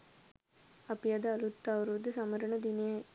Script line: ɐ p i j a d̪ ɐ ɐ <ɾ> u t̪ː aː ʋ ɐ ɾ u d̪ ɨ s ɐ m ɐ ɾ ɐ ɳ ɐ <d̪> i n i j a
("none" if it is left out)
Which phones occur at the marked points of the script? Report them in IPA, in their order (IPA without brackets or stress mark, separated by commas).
l, d̪